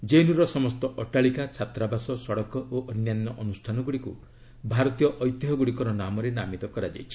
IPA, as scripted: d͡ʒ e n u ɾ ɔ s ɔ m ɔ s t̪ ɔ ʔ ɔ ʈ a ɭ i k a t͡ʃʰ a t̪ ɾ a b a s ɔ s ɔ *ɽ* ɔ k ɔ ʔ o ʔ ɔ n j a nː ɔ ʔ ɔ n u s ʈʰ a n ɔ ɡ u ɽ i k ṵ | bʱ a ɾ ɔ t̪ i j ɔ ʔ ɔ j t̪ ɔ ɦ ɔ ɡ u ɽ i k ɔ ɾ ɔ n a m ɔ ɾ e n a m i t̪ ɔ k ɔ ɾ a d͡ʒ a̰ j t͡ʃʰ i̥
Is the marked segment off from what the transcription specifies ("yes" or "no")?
no